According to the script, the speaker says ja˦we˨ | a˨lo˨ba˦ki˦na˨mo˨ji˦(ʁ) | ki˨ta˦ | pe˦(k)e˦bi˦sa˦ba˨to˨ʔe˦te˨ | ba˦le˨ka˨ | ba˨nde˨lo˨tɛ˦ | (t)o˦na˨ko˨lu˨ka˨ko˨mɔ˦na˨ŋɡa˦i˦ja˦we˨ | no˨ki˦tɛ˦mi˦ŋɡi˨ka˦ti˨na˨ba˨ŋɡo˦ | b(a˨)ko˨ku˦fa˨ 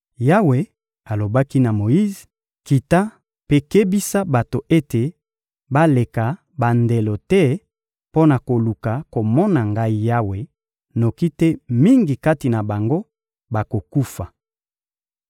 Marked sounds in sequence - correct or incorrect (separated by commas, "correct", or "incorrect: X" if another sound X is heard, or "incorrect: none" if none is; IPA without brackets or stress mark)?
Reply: incorrect: z, correct, incorrect: p, correct